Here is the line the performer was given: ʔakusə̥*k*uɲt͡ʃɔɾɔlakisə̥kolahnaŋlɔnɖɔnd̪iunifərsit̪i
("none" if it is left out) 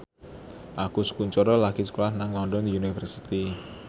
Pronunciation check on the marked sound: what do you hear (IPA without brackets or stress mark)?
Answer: k